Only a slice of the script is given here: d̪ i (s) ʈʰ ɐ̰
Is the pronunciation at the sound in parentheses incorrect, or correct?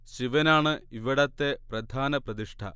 incorrect